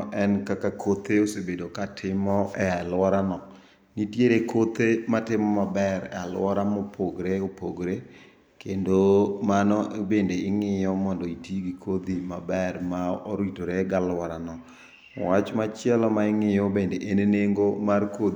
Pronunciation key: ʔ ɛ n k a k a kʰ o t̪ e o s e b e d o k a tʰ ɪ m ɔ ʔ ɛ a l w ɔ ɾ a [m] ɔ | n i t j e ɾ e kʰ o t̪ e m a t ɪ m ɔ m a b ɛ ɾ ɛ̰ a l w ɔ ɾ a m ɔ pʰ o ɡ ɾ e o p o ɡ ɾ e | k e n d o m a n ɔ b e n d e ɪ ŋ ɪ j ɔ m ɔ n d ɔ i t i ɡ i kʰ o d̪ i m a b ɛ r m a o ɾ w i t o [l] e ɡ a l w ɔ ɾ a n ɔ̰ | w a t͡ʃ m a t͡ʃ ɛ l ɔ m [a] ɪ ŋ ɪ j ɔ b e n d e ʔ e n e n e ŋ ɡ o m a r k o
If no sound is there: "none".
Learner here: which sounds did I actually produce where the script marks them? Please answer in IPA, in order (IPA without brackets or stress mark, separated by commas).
n, ɾ, a